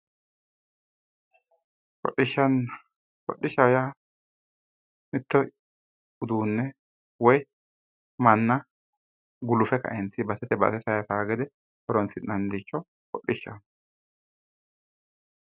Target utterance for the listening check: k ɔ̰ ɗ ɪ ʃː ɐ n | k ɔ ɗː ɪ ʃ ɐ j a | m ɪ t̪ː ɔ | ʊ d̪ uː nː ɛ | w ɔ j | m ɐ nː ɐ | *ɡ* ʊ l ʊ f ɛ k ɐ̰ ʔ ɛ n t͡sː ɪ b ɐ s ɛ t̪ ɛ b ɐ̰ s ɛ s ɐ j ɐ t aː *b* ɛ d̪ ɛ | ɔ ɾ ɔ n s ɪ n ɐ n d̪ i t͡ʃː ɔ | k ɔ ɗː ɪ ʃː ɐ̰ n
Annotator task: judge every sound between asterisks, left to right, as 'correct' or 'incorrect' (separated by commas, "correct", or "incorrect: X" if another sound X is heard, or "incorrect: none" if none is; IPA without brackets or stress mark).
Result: correct, incorrect: ɡ